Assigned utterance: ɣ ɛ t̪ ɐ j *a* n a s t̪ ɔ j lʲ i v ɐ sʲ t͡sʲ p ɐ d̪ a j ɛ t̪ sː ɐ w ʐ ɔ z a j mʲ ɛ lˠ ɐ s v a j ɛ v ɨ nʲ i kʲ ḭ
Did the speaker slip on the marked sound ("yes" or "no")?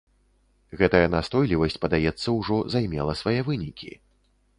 yes